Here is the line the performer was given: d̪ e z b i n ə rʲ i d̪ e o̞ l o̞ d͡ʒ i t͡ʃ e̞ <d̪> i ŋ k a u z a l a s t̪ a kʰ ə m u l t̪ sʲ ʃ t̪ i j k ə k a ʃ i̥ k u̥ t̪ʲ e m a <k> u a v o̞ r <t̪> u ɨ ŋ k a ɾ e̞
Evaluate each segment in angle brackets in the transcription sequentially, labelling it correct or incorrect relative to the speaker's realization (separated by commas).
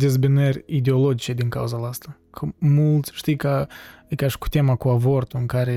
correct, correct, correct